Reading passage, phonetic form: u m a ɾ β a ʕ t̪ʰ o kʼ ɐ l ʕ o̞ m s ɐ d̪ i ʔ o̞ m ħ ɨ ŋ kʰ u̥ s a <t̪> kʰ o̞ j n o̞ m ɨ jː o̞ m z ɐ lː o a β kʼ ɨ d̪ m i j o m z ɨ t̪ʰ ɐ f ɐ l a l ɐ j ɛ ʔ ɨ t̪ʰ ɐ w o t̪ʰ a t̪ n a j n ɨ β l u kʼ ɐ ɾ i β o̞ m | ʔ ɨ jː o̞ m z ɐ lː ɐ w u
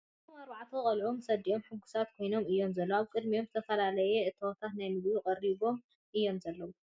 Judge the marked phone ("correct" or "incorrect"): correct